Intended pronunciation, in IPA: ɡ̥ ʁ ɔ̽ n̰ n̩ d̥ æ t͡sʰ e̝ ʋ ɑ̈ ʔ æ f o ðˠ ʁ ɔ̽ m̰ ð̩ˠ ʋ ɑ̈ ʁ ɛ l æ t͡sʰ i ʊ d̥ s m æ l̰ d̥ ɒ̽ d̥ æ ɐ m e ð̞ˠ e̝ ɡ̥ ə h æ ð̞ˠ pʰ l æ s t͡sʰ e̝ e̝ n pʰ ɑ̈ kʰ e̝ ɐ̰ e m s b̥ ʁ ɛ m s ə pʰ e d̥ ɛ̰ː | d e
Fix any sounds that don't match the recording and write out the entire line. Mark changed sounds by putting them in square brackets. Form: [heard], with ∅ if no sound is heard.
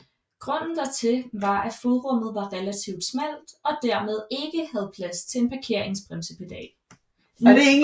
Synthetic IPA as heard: ɡ̥ ʁ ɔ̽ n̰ n̩ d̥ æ t͡sʰ e̝ ʋ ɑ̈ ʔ æ f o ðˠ ʁ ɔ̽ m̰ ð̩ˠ ʋ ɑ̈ ʁ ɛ l æ t͡sʰ i ʊ d̥ s m æ l̰ d̥ ɒ̽ d̥ æ ɐ m e ð̞ˠ e̝ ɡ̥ ə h æ ð̞ˠ pʰ l æ s t͡sʰ e̝ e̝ n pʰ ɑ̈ kʰ e̝ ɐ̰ e [ŋ] s b̥ ʁ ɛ m s ə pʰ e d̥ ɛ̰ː | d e